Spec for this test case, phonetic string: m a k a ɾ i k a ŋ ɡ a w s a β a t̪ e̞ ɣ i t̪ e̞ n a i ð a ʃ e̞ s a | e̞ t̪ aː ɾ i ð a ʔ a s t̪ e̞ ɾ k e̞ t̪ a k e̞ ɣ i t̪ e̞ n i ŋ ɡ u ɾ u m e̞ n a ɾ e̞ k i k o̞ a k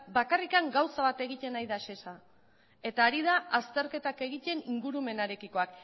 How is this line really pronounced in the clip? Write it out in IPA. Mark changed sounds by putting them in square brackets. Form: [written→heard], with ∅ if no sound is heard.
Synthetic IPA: [m→b] a k a [ɾ→r] i k a ŋ ɡ a w s a β a t̪ e̞ ɣ i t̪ e̞ n a [i→j] ð a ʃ e̞ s a | e̞ t̪ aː ɾ i ð a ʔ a s t̪ e̞ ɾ k e̞ t̪ a k e̞ ɣ i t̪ e̞ n i ŋ ɡ u ɾ u m e̞ n a ɾ e̞ k i k o̞ a k